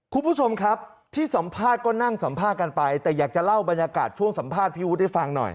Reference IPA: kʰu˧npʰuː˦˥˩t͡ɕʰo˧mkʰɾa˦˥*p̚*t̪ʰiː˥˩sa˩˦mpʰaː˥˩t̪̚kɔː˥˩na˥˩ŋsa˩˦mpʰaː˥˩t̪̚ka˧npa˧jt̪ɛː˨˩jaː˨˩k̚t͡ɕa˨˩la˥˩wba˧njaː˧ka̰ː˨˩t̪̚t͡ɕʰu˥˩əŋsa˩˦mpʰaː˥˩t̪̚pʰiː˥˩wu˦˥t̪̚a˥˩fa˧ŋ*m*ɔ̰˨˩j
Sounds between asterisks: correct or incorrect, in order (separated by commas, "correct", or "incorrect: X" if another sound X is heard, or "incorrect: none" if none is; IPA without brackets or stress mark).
correct, incorrect: n